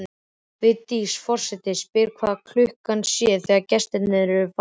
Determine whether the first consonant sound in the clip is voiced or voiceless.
voiced